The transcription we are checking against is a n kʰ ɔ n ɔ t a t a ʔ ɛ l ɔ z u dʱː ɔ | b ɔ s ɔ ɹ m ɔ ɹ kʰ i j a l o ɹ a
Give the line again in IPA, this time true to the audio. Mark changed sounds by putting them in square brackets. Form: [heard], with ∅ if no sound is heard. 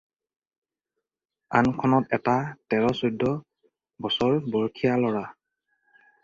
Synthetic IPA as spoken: a n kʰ ɔ n ɔ t [ɛ] t a [t] ɛ [ɹ] ɔ [s] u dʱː ɔ | b ɔ s ɔ ɹ [b] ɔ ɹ kʰ i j a l [ɔ] ɹ a